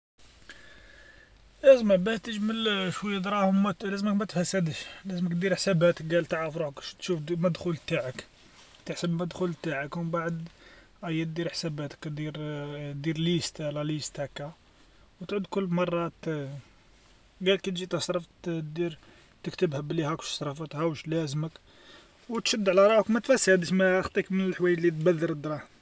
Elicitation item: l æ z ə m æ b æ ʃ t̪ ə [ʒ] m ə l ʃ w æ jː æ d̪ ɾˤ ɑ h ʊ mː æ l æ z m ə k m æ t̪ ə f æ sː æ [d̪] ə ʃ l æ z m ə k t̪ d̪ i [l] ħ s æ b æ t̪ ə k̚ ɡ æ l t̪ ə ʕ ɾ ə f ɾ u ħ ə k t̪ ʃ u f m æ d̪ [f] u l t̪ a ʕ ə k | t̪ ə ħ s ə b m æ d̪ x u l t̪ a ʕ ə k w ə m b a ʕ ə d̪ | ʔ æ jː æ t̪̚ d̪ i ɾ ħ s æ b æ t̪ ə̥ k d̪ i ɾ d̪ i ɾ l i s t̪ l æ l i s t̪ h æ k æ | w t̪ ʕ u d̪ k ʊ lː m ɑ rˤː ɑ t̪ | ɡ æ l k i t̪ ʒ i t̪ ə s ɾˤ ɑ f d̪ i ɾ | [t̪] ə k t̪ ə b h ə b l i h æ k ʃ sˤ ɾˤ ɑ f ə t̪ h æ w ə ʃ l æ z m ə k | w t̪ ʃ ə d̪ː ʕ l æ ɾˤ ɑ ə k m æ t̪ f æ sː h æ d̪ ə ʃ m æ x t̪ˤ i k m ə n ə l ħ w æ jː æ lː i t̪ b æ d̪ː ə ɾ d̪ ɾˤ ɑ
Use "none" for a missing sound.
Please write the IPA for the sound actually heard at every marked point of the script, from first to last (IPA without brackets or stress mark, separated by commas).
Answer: ʒ, d̪, ɾ, x, t̪